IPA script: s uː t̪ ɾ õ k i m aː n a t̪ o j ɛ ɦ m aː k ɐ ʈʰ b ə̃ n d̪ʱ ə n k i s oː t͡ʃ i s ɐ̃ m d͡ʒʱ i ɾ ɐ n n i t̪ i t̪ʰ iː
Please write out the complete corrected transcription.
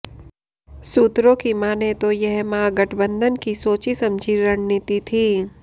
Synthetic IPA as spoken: s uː t̪ ɾ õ k i m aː n e t̪ o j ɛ ɦ m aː ɡ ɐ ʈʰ b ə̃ n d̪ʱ ə n k i s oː t͡ʃ i s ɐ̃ m d͡ʒʱ i ɾ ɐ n n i t̪ i t̪ʰ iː